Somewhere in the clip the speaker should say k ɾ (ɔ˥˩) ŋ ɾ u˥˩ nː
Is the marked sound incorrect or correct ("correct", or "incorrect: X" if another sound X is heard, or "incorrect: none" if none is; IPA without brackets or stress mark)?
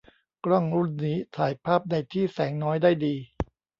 correct